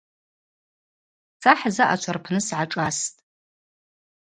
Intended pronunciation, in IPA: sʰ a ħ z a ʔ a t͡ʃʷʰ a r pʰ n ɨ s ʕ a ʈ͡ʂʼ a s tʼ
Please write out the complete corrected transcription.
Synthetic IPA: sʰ a ħ z a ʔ a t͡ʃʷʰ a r pʰ n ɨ s ʕ a ʈ͡ʂʼ a s tʼ